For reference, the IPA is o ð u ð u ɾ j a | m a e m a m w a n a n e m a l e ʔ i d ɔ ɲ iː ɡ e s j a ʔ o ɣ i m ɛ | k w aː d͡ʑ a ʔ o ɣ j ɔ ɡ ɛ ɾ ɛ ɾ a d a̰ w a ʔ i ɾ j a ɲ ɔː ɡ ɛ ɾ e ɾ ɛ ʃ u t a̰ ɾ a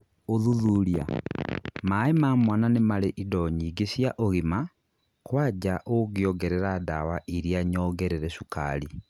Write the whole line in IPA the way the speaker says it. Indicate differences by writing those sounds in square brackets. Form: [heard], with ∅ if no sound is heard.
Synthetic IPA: o ð u ð u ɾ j a | m a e m a m w a n a n e m a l e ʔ i d ɔ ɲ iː ɡ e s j a ʔ o ɣ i m [a] | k w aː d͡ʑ a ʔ o ɣ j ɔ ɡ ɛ ɾ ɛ ɾ a d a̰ w a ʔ i ɾ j a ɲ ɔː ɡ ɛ ɾ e ɾ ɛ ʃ u [k] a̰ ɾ [i]